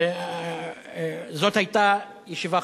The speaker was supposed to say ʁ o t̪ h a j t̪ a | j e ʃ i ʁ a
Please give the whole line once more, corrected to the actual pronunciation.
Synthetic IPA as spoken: z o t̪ h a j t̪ a | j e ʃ i v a